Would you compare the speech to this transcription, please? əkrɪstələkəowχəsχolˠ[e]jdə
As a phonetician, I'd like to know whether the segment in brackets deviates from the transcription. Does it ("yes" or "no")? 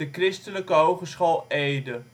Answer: no